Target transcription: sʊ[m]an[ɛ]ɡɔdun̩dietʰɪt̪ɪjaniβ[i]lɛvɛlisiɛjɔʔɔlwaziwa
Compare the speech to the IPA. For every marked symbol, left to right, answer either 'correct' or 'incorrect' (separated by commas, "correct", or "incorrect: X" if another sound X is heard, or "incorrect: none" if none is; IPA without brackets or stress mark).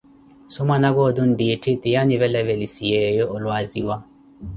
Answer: correct, incorrect: a, incorrect: ɛ